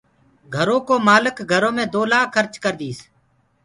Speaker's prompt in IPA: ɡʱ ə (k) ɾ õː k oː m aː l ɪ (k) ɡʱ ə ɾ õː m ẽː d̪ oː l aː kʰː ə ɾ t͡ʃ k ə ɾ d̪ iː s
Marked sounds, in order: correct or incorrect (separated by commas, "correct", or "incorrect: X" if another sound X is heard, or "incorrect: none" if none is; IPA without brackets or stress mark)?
incorrect: none, correct